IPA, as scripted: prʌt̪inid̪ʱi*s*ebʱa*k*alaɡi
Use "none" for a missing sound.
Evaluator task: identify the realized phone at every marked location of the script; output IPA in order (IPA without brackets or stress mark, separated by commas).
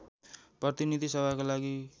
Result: s, k